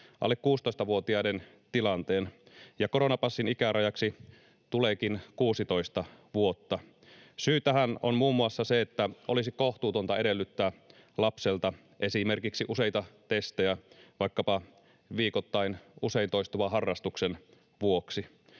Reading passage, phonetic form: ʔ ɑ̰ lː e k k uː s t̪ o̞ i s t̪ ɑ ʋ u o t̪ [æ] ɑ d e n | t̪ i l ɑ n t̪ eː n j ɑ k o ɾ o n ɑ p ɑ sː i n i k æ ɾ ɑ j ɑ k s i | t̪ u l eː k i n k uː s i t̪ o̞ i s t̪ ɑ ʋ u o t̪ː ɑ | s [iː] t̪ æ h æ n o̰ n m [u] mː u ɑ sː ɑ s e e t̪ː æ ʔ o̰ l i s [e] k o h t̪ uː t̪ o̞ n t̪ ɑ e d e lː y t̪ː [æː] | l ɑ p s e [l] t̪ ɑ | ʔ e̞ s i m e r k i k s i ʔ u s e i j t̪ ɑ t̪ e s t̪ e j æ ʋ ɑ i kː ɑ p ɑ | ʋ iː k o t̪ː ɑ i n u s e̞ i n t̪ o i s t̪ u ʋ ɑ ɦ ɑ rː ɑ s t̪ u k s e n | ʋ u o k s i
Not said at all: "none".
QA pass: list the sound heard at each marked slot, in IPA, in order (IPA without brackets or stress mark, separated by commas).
i, yː, uː, i, æː, l